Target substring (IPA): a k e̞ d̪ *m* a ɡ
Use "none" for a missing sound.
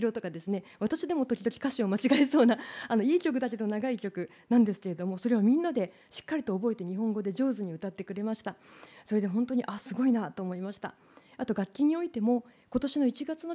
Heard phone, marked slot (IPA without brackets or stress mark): n